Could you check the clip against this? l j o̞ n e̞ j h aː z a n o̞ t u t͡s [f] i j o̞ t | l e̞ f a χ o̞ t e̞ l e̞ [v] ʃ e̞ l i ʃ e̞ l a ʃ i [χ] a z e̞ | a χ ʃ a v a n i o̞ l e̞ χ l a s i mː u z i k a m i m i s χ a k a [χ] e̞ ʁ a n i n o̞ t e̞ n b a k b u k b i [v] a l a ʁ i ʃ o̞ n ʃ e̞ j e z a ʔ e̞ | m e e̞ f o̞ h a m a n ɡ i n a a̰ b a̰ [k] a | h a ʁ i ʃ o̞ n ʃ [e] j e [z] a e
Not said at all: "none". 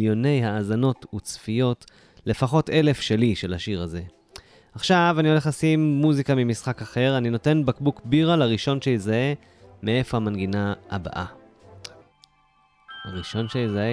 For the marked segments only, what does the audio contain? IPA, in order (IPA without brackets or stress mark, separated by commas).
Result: f, f, ʁ, χ, ʁ, ʔ, e, z